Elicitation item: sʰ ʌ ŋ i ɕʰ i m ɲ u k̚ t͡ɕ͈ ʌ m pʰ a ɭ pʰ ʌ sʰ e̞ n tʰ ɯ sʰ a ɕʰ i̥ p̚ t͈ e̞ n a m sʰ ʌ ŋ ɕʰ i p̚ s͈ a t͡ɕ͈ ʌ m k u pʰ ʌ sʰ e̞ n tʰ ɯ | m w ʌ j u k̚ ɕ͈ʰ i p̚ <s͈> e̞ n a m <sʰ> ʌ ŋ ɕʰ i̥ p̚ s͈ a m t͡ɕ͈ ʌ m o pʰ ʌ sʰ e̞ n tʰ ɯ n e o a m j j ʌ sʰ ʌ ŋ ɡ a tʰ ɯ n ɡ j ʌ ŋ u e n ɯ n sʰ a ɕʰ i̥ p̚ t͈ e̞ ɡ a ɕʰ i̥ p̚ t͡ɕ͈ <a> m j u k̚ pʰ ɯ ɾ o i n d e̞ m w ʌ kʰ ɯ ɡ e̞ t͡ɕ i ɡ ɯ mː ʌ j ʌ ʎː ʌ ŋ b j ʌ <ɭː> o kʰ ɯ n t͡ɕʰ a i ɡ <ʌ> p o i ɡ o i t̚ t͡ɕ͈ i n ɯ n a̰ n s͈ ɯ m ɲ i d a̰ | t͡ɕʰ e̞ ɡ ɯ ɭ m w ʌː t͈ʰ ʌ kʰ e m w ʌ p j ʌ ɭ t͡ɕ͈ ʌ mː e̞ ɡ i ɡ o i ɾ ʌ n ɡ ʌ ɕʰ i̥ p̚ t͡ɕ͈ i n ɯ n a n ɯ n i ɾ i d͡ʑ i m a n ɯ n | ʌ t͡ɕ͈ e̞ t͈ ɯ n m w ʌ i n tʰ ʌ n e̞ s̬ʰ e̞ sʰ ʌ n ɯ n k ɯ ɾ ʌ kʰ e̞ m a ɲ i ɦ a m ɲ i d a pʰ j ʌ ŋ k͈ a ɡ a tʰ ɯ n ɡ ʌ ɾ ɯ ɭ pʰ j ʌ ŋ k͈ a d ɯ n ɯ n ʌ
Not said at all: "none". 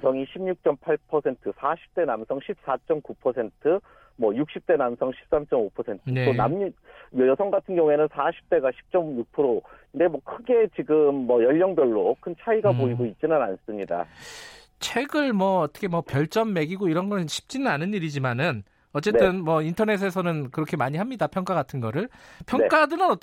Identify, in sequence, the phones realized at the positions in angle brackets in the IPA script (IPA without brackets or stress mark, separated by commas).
t͈, sʰ, ʌ, ɭː, a